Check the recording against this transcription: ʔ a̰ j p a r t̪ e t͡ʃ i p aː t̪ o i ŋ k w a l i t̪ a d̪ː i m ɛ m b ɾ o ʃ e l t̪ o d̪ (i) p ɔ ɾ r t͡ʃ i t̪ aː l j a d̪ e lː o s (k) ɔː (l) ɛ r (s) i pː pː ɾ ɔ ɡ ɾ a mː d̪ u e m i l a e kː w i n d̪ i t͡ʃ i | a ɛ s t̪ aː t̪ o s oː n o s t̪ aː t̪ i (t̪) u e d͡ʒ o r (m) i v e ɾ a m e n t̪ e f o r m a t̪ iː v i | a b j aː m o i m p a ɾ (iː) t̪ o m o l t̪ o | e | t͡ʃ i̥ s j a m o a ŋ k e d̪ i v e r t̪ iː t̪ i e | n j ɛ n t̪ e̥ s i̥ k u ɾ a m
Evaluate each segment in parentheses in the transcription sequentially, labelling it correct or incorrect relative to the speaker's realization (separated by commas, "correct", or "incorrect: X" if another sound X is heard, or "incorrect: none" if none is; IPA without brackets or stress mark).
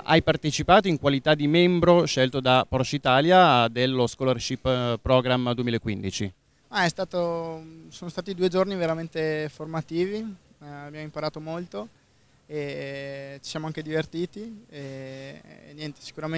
incorrect: a, correct, correct, incorrect: ʃ, incorrect: d̪, incorrect: n, incorrect: aː